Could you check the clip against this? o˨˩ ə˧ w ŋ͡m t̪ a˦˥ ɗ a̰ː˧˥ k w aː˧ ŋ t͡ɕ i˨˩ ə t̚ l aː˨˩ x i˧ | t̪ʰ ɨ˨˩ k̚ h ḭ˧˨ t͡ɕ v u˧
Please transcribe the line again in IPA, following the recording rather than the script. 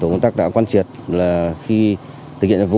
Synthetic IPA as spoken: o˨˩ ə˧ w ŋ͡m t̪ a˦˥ ɗ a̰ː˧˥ k w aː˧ n t͡ɕ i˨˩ ə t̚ l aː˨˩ x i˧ | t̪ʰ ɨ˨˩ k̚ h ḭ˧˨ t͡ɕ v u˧

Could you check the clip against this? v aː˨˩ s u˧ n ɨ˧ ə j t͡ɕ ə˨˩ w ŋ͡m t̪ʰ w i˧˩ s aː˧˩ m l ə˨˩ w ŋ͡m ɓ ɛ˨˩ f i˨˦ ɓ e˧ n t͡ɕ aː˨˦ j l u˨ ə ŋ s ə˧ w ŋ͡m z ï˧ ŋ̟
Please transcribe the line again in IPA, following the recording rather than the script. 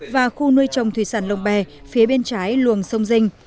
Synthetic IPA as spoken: v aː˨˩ x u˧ n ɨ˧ ə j t͡ɕ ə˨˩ w ŋ͡m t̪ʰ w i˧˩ s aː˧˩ n l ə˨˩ w ŋ͡m ɓ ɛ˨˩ f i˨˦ ɓ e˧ n t͡ɕ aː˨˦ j l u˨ ə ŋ s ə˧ w ŋ͡m z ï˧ ŋ̟

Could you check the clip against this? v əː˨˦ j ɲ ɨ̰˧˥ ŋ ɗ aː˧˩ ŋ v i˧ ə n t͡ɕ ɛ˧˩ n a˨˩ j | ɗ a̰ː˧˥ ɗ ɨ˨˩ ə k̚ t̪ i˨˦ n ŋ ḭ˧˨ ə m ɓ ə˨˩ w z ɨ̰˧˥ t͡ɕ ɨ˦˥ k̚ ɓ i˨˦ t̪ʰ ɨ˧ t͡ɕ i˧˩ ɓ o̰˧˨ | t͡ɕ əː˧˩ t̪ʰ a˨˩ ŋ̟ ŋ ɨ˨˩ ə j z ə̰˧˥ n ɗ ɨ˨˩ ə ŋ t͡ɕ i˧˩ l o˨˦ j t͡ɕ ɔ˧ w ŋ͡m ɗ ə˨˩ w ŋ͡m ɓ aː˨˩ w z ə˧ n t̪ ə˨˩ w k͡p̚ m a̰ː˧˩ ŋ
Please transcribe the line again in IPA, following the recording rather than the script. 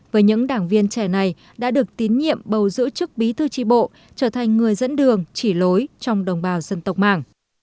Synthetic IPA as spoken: v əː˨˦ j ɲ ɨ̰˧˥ ŋ ɗ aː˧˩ ŋ v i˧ ə n t͡ɕ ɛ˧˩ n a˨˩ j | ɗ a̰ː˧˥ ɗ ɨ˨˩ ə k̚ t̪ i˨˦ n ɲ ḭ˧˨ ə m ɓ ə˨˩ w z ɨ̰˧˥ t͡ɕ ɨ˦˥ k̚ ɓ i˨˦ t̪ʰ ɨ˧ t͡ɕ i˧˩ ɓ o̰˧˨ | t͡ɕ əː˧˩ t̪ʰ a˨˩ ŋ̟ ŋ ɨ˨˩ ə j z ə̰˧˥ n ɗ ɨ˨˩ ə ŋ t͡ɕ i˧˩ l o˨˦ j t͡ɕ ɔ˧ w ŋ͡m ɗ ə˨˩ w ŋ͡m ɓ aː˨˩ w z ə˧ n t̪ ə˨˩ w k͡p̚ m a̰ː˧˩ ŋ

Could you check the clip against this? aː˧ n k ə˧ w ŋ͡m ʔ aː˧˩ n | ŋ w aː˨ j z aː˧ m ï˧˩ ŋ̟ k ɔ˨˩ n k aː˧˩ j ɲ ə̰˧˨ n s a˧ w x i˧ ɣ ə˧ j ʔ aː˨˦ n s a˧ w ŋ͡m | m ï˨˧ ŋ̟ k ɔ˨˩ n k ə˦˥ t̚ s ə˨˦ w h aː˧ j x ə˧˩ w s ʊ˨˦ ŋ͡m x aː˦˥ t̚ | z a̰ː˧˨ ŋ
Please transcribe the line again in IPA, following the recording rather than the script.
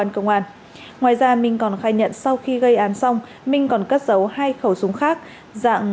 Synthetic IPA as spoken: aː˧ n k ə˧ w ŋ͡m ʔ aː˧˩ n | ŋ w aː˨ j z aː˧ m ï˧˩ ŋ̟ k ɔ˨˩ n x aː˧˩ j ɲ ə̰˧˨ n s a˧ w x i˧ ɣ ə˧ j ʔ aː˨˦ n s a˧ w ŋ͡m | m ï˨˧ ŋ̟ k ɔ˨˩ n k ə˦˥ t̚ z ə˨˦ w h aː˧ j x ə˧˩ w s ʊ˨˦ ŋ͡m x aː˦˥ k̚ | z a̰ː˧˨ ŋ

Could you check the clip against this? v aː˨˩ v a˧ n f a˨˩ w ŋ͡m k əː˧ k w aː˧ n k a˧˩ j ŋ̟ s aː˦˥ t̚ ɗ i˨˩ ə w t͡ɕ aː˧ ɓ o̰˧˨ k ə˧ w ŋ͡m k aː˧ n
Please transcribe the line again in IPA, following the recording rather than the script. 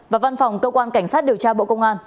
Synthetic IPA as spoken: v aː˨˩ v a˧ n f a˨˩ w ŋ͡m k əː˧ k w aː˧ n k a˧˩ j ŋ̟ s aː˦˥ t̚ ɗ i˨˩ ə w t͡ɕ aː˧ ɓ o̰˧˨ k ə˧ w ŋ͡m ʔ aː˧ n

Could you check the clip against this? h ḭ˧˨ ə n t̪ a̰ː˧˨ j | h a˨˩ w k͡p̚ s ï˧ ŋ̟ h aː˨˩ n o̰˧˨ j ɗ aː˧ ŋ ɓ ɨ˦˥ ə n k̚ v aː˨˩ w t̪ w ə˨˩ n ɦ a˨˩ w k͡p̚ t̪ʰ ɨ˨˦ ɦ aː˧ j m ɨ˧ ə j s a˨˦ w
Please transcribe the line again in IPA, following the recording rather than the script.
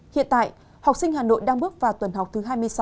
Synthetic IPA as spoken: h ḭ˧˨ ə n t̪ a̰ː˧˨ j | h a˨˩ w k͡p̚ s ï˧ ŋ̟ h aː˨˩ n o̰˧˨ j ɗ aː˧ ŋ ɓ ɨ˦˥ ə k̚ v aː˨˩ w t̪ w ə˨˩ n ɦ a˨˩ w k͡p̚ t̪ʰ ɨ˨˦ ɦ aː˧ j m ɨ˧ ə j s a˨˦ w

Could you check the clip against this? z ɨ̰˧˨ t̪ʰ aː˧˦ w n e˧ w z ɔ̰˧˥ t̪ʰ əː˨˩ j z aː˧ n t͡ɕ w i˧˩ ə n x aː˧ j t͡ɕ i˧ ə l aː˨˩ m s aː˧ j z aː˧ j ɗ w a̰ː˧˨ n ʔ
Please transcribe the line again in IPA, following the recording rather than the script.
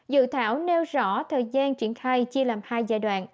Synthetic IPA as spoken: z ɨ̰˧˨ t̪ʰ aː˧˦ w n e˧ w z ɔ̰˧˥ t̪ʰ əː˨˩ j z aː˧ n t͡ɕ w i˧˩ ə n x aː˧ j t͡ɕ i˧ ə l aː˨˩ m h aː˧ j z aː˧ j ɗ w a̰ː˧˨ n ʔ

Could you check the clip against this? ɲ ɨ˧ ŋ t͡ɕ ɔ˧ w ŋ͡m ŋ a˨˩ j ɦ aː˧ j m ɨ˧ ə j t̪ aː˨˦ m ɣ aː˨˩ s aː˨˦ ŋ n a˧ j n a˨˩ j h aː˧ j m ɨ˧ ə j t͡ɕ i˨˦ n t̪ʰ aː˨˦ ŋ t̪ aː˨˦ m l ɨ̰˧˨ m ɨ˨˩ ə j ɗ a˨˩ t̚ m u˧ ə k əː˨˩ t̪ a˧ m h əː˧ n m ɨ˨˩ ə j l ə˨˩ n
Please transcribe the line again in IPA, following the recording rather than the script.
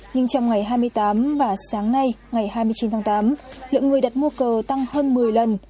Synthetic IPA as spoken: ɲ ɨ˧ ŋ t͡ɕ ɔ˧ w ŋ͡m ŋ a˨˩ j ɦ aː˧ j m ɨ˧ ə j t̪ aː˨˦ m v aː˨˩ s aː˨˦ ŋ n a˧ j ŋ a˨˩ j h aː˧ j m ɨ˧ ə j t͡ɕ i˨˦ n t̪ʰ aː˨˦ ŋ t̪ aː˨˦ m l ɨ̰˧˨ ŋ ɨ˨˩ ə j ɗ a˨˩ t̚ m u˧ ə k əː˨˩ t̪ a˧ ŋ h əː˧ n m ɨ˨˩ ə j l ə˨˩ n

